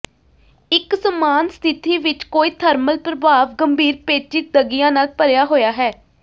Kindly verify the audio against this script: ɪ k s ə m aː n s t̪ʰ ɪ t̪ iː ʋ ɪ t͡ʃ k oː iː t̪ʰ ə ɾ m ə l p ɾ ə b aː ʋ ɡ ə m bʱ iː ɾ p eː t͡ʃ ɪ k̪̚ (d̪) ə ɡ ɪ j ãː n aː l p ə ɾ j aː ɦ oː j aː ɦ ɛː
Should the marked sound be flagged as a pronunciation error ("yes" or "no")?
no